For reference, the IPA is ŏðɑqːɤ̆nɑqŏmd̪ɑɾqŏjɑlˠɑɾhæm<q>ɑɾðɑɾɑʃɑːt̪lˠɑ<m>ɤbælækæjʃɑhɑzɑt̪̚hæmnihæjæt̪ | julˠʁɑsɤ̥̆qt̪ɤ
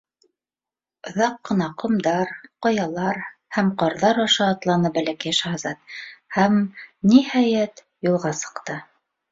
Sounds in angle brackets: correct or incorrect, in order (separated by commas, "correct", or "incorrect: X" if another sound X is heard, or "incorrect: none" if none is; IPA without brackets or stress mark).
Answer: correct, incorrect: n